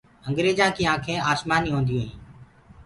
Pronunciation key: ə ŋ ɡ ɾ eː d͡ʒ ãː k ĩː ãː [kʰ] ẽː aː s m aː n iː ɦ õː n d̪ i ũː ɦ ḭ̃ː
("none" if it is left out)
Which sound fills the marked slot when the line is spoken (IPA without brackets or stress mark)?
kʰ